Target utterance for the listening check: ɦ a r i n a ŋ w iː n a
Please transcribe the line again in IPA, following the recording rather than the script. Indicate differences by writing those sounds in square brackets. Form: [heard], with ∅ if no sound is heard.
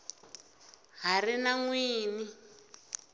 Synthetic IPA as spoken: ɦ a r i n a ŋ w iː n [i]